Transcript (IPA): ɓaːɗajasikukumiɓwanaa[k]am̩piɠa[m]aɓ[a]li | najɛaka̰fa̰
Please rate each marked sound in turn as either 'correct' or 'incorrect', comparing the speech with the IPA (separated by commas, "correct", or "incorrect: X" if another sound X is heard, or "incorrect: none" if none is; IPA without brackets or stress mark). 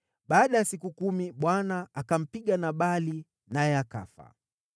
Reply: correct, incorrect: n, correct